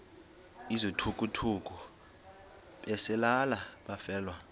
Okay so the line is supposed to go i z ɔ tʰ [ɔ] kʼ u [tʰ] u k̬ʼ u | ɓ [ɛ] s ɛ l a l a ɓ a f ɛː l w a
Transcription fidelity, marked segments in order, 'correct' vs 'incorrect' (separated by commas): incorrect, correct, correct